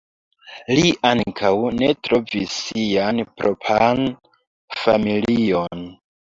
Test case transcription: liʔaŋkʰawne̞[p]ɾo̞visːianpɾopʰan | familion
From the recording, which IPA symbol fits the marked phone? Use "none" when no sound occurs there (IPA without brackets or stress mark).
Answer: t